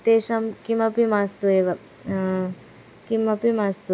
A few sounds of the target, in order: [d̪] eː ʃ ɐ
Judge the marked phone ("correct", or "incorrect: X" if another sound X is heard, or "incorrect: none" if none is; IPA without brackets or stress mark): incorrect: t̪